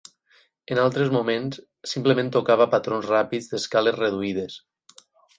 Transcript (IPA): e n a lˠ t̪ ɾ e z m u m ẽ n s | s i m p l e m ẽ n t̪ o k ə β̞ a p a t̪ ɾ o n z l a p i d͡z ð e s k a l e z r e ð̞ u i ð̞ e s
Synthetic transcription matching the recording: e n a lˠ t̪ ɾ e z m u m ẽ n s | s i m p l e m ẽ n t̪ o k a β̞ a p a t̪ ɾ o n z r a p i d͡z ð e s k a l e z r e ð̞ u i ð̞ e s